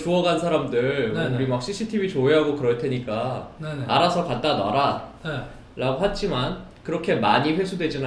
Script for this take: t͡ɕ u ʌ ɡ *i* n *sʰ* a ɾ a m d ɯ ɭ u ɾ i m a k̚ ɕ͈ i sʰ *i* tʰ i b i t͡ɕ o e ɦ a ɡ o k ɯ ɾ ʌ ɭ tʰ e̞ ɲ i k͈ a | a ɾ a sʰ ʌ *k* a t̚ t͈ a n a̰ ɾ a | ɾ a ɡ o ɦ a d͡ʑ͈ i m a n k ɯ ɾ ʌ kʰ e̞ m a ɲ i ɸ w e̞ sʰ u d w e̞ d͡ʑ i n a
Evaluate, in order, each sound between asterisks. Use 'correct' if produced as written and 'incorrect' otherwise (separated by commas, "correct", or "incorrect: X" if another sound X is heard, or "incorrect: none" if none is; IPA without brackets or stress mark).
incorrect: a, correct, correct, correct